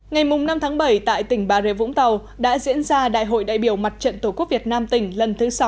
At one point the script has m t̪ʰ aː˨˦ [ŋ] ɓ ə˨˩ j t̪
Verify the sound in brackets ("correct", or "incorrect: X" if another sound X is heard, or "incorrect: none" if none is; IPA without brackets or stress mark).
correct